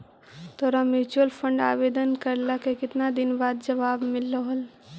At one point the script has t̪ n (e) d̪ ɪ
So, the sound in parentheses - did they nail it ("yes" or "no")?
no